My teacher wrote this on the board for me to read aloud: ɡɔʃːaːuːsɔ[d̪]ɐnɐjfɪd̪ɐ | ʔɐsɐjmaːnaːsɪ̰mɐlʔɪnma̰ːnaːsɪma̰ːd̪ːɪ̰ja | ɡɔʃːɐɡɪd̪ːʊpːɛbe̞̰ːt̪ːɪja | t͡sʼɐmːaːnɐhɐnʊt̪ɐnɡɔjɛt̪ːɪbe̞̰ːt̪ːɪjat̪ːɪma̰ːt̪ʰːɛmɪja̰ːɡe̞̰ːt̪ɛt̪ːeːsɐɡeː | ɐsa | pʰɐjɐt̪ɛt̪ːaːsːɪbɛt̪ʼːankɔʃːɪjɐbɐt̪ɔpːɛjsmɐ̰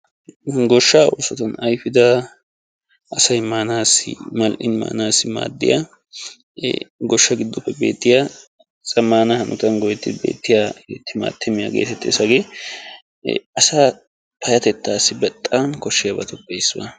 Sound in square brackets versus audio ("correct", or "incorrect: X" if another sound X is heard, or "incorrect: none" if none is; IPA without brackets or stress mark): incorrect: t̪